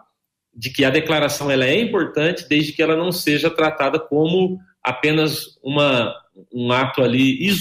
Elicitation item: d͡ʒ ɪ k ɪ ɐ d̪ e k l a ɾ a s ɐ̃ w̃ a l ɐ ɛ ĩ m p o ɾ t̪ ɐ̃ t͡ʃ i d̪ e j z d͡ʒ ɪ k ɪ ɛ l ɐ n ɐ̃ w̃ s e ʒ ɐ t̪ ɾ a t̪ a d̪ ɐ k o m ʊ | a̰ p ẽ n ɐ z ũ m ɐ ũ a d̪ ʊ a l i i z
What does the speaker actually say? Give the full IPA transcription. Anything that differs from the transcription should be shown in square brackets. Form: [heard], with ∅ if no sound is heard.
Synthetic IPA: d͡ʒ ɪ k ɪ ɐ d̪ e k l a ɾ a s ɐ̃ w̃ [ɛ] l ɐ ɛ ĩ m p o ɾ t̪ ɐ̃ t͡ʃ [ɪ] d̪ e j z d͡ʒ ɪ k ɪ ɛ l ɐ n ɐ̃ w̃ s e ʒ ɐ t̪ ɾ a t̪ a d̪ ɐ k [õ] m ʊ | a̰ p ẽ n ɐ z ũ m ɐ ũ a [t̪] ʊ a l i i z